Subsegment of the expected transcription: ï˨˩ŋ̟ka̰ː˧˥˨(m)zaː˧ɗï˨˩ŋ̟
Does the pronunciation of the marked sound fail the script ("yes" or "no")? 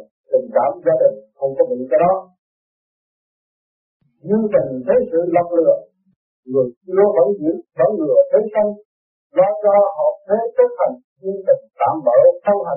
no